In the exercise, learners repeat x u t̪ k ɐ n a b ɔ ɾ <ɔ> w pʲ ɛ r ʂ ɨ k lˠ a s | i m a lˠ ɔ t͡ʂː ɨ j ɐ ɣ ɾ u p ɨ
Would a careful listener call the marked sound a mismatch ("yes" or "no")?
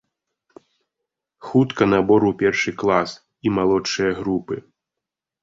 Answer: yes